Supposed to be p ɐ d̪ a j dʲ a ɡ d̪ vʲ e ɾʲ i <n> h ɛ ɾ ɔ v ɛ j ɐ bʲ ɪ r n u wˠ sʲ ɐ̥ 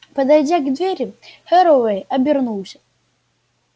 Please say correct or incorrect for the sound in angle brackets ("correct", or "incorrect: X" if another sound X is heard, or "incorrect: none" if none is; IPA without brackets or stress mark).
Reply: incorrect: none